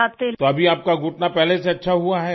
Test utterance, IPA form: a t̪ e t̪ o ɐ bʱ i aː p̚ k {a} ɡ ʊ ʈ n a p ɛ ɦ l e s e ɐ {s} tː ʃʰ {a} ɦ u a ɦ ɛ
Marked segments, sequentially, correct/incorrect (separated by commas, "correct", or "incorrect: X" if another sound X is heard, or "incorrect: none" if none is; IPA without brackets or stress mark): correct, incorrect: none, correct